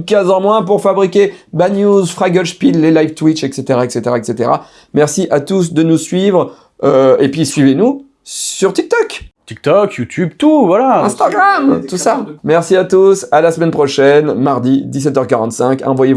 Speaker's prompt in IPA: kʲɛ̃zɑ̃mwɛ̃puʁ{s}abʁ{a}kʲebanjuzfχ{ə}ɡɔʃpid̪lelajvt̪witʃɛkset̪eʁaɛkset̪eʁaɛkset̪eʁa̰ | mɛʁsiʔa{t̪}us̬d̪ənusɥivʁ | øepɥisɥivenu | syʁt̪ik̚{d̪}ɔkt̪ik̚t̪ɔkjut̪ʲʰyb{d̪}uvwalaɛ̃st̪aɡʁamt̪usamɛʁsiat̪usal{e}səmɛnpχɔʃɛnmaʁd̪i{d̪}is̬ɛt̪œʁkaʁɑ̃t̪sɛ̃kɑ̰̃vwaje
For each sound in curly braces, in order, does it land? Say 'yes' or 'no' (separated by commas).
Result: no, no, no, yes, no, no, no, yes